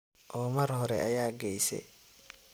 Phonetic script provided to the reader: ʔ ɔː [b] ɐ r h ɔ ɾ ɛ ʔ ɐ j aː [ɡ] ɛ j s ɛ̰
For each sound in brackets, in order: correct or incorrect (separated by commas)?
incorrect, correct